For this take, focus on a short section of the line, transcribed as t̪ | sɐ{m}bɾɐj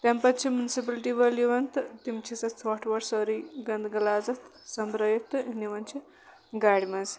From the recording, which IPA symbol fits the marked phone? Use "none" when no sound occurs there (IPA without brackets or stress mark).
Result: m